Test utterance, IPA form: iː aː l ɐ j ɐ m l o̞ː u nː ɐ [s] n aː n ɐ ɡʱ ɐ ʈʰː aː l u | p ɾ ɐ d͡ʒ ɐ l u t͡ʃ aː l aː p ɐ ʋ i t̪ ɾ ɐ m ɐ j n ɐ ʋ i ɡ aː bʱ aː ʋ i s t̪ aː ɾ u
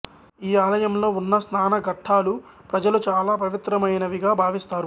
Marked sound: correct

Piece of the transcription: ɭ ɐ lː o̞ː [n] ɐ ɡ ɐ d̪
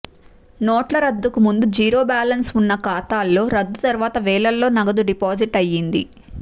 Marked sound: correct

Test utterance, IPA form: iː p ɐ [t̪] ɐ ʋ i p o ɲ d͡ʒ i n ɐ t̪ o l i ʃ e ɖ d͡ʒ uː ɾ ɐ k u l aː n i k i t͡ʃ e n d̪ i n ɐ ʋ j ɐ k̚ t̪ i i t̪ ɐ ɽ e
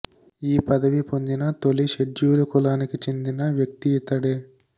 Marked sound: incorrect: d̪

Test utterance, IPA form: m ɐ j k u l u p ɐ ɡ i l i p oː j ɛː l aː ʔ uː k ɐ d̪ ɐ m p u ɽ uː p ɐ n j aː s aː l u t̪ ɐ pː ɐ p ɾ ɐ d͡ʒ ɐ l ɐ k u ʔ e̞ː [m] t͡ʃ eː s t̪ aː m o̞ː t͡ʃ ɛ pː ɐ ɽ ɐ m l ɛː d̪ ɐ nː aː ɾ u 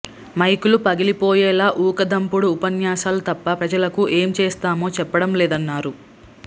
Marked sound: correct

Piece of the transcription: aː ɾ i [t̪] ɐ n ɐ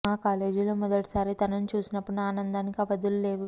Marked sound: correct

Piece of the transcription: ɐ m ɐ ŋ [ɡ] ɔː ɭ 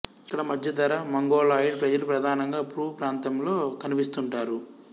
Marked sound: correct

